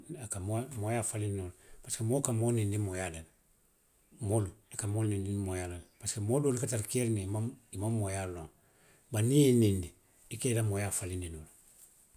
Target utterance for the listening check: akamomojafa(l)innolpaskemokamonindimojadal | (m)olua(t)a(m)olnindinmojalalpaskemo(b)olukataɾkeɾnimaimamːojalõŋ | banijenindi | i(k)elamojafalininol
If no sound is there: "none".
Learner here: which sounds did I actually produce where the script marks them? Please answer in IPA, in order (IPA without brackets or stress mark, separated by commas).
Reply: l, m, k, m, d, k